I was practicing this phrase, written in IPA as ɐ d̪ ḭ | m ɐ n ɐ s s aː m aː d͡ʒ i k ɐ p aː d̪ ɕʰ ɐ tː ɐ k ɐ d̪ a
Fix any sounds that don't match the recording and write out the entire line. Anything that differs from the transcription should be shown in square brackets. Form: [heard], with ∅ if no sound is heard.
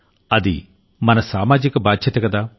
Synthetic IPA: ɐ d̪ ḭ | m ɐ n ɐ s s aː m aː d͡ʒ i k ɐ [b] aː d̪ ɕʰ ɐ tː ɐ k ɐ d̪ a